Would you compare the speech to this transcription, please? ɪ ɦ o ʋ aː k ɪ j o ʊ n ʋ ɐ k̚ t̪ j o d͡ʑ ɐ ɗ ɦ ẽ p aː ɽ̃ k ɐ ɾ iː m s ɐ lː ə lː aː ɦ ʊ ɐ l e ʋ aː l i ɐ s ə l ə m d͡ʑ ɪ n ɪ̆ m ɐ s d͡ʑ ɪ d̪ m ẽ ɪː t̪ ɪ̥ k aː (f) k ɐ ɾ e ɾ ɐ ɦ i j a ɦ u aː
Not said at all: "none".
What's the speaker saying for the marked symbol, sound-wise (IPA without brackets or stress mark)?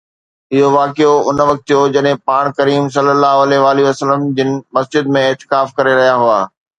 f